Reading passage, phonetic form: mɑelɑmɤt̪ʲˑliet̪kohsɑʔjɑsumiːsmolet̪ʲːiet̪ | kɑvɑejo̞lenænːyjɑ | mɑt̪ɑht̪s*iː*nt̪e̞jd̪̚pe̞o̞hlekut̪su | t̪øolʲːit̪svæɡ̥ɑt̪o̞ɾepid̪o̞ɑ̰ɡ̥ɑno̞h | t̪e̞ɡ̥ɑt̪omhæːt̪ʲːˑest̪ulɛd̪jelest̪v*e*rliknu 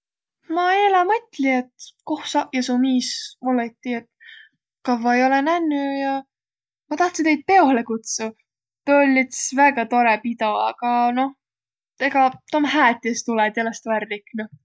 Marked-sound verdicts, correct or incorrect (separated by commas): incorrect, incorrect